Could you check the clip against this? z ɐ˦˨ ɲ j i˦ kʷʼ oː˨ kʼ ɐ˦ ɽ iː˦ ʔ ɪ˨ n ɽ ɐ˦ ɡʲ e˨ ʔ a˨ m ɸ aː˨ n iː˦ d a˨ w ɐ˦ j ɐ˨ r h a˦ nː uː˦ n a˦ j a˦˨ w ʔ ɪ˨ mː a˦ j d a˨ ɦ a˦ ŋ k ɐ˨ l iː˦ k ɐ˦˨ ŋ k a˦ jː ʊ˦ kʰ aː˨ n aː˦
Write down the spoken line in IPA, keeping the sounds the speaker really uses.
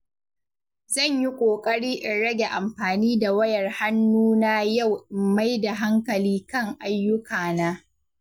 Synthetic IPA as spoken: z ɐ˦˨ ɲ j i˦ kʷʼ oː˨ kʼ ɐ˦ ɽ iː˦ ʔ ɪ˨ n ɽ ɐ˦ ɡʲ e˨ ʔ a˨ m ɸ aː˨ n iː˦ d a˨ w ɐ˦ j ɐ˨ r h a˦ nː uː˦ n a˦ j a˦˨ w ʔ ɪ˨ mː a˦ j d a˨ ɦ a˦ ŋ k ɐ˨ l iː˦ k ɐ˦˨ ŋ ʔ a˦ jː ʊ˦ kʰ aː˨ n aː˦